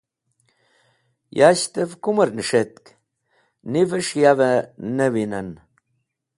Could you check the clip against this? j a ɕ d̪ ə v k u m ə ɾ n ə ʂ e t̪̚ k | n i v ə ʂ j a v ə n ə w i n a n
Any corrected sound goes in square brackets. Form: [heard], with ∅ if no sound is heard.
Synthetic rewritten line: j a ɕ [t̪] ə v k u m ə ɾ n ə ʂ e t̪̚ k | n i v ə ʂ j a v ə n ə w i n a n